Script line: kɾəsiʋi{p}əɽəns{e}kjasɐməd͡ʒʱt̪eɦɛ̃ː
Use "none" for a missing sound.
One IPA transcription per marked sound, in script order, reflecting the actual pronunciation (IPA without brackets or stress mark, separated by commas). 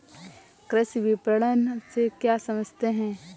p, e